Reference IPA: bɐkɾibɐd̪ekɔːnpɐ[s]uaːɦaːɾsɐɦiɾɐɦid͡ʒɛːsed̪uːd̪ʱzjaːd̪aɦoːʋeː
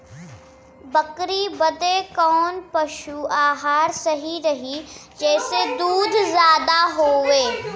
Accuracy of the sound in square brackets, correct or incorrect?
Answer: incorrect